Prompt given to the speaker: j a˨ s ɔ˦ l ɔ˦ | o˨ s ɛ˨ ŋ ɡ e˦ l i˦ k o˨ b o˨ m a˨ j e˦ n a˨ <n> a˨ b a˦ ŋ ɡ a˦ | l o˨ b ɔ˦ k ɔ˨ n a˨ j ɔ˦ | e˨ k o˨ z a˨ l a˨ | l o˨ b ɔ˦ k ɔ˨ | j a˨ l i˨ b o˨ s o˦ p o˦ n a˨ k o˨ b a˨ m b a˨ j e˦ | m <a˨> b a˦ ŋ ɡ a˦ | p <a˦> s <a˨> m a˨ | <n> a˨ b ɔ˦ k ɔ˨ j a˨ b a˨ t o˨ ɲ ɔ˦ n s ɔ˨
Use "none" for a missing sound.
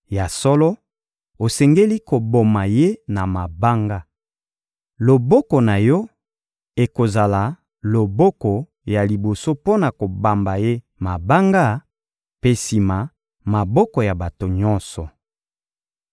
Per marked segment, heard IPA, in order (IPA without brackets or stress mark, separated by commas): m, a˨, e˦, i˨, m